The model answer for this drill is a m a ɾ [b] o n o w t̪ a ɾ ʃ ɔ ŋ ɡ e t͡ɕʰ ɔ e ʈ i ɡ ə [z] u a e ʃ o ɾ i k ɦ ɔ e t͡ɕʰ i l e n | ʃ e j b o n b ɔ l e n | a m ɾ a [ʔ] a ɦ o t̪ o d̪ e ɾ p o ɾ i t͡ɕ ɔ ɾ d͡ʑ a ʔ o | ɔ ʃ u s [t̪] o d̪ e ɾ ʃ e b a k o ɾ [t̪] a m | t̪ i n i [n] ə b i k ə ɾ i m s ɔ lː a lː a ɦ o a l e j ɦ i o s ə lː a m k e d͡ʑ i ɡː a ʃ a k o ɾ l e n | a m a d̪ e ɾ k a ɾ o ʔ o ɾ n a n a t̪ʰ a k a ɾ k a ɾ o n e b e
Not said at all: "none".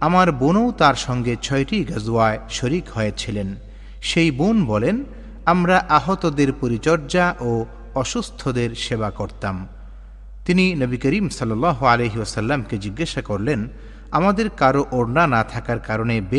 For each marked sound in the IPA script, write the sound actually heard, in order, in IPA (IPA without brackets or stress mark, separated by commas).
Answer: b, z, ʔ, t̪ʰ, t̪, n